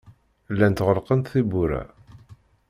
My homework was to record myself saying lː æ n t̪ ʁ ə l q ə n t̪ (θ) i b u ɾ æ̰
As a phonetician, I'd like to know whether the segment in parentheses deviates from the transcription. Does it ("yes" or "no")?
no